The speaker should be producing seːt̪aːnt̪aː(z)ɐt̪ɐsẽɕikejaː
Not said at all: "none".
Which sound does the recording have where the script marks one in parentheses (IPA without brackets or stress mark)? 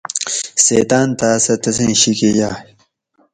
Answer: s